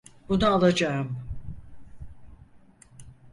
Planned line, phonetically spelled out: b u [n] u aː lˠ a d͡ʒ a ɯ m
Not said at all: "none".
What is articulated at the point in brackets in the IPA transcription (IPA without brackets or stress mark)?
n